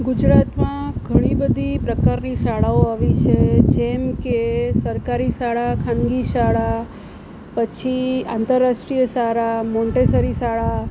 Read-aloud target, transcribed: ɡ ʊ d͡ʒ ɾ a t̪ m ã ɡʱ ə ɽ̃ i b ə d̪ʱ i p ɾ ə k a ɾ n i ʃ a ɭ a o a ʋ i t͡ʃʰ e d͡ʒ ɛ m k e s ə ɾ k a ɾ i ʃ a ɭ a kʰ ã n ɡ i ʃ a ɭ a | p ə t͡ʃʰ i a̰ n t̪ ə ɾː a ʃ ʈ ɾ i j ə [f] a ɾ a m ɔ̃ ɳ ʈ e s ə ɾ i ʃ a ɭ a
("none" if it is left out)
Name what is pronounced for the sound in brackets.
ʃ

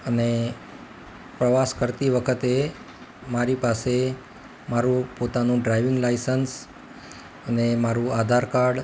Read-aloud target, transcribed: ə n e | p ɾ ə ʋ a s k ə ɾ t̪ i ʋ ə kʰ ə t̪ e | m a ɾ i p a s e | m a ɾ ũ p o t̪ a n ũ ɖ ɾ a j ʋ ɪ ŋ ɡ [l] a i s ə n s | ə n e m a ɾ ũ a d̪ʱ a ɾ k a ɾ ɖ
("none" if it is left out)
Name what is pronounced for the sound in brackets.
l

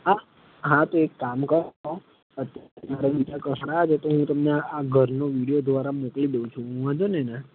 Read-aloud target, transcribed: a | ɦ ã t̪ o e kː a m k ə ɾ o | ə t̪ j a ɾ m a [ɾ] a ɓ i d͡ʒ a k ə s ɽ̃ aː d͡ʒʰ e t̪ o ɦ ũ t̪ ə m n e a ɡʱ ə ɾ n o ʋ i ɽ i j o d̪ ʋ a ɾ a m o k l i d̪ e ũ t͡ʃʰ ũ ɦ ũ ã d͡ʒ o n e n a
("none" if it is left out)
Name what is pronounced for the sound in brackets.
ɾ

